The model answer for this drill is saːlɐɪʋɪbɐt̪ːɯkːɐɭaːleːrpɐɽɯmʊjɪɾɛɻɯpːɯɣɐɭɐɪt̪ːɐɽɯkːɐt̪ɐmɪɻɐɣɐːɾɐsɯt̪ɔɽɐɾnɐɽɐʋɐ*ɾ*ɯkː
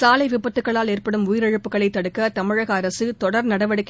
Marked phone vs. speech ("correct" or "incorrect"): incorrect